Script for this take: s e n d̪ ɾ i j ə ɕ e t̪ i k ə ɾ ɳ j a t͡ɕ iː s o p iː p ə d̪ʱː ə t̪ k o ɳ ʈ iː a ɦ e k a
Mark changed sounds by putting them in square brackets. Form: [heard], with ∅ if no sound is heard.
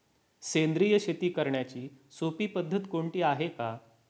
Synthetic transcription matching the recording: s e n d̪ ɾ i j ə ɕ e t̪ [iː] k ə ɾ ɳ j a t͡ɕ iː s o p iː p ə d̪ʱː ə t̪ k o ɳ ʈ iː a ɦ e k a